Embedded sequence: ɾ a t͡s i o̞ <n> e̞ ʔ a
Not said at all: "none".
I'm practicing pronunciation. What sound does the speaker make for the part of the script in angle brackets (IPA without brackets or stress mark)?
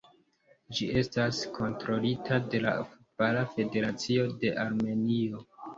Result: d